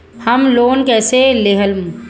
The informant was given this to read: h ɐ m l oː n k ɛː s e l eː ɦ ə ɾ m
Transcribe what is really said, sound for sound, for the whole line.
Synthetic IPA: h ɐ m l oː n k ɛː s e l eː ɦ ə l m